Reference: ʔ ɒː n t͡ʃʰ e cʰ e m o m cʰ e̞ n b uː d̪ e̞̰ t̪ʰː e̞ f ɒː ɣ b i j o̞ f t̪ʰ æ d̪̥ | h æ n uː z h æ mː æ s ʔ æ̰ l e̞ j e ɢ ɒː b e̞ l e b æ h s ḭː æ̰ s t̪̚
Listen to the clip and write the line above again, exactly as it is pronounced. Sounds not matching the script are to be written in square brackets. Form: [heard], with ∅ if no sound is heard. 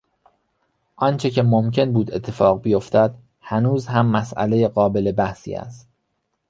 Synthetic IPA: ʔ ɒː n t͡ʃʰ e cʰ e m o m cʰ e̞ n b uː d̪ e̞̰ t̪ʰː e̞ f ɒː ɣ b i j o̞ f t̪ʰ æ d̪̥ | h æ n uː z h æ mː æ s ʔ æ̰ l e̞ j e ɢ ɒː b e̞ l e b æ h s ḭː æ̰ s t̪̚